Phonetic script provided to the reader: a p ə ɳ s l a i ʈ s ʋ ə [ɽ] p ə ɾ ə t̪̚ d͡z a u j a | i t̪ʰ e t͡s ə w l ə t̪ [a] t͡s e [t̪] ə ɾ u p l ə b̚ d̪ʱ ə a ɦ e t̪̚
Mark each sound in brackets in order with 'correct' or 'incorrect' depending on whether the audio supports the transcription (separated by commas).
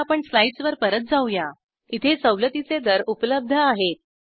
incorrect, incorrect, incorrect